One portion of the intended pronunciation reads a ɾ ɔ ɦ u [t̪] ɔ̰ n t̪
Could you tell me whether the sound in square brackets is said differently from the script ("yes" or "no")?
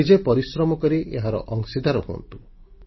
yes